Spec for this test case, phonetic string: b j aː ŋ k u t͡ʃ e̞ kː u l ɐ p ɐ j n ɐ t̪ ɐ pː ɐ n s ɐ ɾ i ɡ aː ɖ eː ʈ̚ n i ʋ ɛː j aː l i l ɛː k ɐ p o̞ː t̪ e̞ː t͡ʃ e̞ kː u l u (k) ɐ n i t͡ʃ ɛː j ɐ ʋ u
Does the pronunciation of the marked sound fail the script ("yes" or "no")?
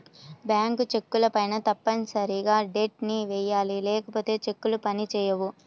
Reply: yes